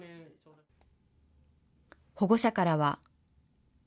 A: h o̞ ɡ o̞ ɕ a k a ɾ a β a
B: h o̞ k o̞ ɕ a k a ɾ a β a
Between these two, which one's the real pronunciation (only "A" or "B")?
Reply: A